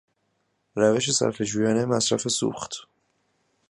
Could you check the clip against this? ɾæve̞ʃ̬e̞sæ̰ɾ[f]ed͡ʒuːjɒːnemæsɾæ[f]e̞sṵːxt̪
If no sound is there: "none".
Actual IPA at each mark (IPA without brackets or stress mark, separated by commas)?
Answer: f, f